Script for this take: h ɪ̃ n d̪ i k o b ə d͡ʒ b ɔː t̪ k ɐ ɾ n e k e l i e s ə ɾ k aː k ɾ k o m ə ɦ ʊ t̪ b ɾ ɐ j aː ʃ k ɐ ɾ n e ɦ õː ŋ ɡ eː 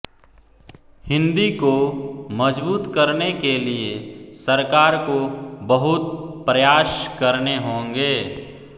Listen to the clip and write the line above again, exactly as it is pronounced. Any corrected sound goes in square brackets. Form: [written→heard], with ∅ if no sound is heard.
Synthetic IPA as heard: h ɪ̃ n d̪ i k o [b→m] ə d͡ʒ b [ɔː→uː] t̪ k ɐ ɾ n e k e l i e s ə ɾ k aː [k→∅] ɾ k o [m→b] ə ɦ ʊ t̪ [b→p] ɾ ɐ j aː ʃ k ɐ ɾ n e ɦ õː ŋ ɡ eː